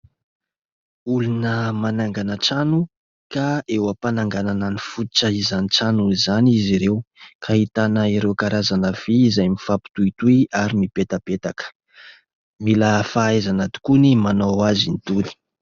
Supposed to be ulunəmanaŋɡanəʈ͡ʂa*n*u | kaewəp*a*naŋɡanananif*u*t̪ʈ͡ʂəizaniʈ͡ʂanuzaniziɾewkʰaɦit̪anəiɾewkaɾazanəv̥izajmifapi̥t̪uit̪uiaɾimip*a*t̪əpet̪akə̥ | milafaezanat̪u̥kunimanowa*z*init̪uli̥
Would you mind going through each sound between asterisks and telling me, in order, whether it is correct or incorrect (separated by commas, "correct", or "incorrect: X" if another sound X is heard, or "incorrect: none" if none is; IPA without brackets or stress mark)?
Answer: correct, correct, correct, incorrect: e, correct